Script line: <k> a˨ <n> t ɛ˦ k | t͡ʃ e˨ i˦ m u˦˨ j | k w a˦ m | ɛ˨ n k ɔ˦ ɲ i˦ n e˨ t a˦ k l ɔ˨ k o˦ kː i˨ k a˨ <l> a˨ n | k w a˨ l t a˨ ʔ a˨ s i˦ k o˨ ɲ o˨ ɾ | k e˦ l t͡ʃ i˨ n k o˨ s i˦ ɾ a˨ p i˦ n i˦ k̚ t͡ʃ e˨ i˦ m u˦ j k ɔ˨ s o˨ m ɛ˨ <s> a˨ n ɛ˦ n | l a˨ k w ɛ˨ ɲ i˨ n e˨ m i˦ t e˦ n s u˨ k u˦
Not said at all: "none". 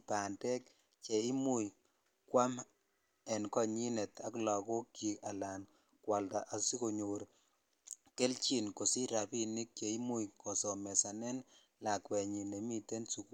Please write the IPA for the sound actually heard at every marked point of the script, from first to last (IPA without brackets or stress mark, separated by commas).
p, n, l, s